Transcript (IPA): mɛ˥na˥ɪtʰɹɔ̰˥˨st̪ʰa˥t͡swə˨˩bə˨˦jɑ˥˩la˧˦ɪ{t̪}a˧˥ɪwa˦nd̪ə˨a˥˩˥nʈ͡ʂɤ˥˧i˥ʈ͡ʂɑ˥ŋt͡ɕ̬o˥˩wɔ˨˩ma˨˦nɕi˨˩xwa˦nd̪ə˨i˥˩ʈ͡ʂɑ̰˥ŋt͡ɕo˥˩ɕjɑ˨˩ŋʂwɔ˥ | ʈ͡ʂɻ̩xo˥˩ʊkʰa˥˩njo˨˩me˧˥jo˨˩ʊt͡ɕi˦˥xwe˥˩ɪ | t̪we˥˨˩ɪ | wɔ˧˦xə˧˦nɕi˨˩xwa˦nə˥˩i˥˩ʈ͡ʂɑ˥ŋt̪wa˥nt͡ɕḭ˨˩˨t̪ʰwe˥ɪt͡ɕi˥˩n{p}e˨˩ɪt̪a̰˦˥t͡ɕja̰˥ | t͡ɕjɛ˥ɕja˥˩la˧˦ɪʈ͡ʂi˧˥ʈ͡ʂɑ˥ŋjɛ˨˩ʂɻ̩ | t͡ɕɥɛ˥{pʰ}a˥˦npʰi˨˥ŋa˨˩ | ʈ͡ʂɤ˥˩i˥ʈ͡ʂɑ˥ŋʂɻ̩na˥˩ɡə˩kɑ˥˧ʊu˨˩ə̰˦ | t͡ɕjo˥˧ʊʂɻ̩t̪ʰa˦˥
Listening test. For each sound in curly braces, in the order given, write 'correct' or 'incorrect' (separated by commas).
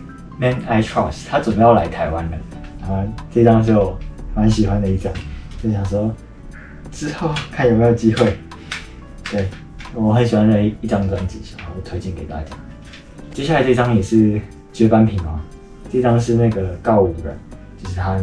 incorrect, incorrect, incorrect